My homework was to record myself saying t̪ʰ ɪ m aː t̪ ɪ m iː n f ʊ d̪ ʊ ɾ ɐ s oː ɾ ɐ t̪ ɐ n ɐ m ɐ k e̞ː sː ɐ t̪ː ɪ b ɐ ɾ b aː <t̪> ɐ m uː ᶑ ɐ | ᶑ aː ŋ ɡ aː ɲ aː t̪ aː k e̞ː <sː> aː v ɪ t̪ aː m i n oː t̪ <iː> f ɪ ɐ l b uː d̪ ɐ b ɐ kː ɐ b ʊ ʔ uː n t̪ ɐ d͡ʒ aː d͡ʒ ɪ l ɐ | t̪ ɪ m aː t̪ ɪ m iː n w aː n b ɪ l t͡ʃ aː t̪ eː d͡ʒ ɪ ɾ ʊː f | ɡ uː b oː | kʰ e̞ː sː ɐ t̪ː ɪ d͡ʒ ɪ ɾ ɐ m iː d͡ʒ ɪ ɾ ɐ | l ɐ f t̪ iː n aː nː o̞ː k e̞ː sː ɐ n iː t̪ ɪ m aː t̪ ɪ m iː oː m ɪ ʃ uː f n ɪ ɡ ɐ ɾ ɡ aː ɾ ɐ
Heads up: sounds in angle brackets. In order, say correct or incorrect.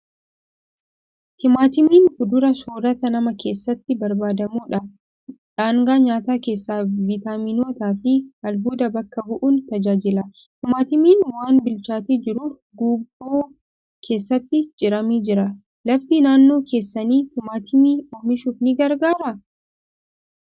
incorrect: d̪, correct, incorrect: aː

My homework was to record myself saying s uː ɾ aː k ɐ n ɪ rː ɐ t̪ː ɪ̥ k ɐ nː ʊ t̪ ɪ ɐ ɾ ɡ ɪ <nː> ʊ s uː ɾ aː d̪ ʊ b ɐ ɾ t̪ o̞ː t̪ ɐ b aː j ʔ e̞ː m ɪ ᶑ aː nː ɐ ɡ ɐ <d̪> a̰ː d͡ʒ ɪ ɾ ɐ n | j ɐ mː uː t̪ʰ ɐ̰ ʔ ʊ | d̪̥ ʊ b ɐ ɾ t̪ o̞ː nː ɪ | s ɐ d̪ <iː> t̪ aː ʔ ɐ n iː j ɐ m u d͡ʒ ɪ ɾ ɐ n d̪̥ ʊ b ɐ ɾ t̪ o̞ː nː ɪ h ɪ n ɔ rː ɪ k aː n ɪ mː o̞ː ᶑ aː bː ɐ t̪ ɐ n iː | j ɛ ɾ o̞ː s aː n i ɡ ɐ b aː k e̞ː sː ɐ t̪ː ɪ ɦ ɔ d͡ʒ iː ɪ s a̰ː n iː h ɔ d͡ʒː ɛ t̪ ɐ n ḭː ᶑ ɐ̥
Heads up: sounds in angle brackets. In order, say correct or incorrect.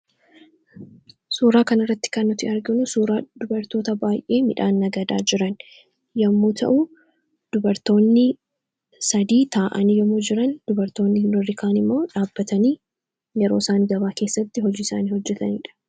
incorrect: n, correct, correct

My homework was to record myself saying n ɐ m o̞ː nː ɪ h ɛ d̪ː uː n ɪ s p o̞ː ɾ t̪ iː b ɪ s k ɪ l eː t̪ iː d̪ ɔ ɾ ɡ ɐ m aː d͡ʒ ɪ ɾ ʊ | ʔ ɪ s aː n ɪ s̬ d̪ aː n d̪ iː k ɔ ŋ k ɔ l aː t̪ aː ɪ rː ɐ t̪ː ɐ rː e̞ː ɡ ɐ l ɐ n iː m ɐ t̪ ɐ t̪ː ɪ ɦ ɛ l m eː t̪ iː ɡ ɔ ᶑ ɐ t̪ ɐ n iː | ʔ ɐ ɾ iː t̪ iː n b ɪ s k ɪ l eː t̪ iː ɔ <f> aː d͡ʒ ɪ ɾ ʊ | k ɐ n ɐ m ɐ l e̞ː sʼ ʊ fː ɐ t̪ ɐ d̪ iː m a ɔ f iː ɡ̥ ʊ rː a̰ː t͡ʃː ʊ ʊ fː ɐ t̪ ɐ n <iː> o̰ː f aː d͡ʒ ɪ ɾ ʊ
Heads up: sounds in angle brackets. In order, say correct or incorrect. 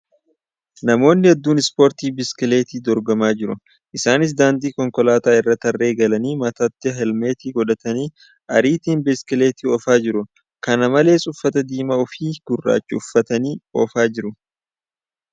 correct, correct

